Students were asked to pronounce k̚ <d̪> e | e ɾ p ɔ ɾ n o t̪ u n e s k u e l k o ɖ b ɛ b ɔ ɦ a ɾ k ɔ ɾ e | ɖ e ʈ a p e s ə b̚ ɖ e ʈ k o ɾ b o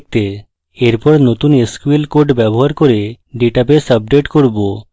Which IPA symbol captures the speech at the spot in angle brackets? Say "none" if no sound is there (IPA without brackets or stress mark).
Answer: t̪